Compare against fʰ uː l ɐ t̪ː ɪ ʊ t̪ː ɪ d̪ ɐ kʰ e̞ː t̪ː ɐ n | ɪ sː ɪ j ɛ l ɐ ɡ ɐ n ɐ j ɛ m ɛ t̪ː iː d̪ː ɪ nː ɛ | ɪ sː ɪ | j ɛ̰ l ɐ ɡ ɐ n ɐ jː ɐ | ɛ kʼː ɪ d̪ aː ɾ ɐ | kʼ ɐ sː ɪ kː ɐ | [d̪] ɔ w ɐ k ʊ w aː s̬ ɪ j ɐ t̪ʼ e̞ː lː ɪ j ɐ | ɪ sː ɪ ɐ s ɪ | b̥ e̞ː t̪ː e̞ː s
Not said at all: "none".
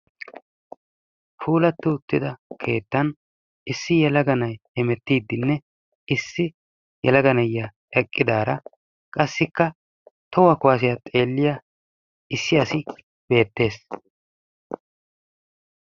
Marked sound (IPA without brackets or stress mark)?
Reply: t̪